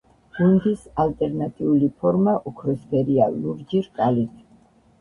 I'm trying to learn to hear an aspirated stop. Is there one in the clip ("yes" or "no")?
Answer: yes